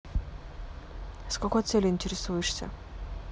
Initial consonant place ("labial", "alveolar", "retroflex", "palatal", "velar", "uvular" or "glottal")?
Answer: alveolar